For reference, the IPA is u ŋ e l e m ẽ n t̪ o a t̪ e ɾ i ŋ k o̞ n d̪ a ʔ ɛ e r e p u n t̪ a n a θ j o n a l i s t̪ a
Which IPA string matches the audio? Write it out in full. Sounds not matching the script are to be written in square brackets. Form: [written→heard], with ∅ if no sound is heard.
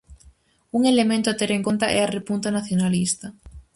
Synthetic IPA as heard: u ŋ e l e m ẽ n t̪ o a t̪ e ɾ [i→e] ŋ k o̞ n [d̪→t̪] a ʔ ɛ [e→a] r e p u n t̪ a n a θ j o n a l i s t̪ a